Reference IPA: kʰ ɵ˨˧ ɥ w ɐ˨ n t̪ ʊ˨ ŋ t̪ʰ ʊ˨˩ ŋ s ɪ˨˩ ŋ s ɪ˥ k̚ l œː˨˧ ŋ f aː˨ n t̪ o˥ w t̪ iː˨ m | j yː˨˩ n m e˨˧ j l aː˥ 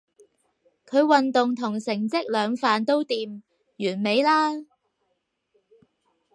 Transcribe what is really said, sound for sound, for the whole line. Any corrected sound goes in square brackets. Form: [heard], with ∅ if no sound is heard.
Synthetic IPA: kʰ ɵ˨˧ ɥ w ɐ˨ n t̪ ʊ˨ ŋ t̪ʰ ʊ˨˩ ŋ s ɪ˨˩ ŋ [t͡s] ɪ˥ k̚ l œː˨˧ ŋ f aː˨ n t̪ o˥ w t̪ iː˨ m | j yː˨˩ n m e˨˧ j l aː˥